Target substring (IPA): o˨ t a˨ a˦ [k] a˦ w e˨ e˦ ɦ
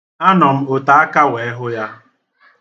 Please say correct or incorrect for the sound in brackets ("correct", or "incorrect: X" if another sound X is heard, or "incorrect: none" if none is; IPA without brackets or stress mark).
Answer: correct